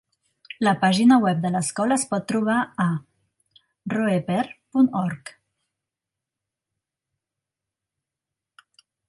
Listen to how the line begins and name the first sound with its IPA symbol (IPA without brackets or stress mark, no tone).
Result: l